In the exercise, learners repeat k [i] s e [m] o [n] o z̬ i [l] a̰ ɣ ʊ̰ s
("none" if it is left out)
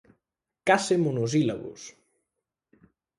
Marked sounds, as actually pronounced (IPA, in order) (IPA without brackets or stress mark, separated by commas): a, m, n, l